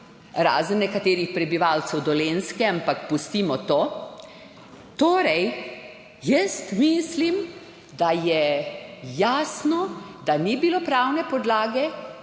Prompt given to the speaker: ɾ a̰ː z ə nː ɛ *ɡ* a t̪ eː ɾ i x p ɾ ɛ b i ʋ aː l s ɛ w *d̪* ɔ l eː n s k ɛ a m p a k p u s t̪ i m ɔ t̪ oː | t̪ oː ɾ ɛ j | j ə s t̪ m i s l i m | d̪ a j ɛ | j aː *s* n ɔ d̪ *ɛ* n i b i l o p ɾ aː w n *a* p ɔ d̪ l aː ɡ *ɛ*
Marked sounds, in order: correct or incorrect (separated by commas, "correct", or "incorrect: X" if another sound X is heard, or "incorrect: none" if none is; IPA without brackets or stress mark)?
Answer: incorrect: k, correct, correct, incorrect: a, incorrect: ɛ, correct